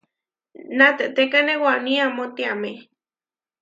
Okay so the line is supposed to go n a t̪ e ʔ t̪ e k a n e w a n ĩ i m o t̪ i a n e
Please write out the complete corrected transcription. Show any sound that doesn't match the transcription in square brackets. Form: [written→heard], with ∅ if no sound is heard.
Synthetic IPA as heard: n a t̪ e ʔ t̪ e k a n e w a n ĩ [i→a] m o t̪ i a [n→m] e